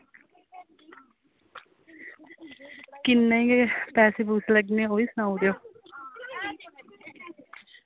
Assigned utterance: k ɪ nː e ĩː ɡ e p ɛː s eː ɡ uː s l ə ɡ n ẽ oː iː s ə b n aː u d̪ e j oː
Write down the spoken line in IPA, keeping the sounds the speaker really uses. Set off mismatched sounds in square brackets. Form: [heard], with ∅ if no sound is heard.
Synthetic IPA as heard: k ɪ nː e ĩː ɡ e p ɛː s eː [b] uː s l ə ɡ n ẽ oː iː s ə [∅] n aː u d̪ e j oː